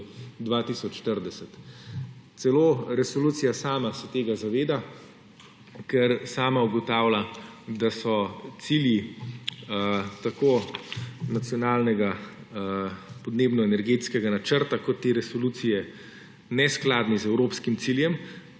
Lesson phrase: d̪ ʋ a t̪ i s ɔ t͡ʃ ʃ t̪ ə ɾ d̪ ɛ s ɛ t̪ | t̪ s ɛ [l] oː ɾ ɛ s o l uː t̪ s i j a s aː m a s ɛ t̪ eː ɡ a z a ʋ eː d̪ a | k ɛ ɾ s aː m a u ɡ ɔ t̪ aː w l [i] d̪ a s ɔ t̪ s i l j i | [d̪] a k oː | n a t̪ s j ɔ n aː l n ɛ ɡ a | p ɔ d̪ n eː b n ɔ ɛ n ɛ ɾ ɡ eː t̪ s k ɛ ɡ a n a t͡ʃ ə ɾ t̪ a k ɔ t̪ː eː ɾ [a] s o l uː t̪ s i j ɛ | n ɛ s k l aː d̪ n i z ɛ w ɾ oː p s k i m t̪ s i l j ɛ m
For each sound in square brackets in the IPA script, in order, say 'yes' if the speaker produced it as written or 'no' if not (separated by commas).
yes, no, no, no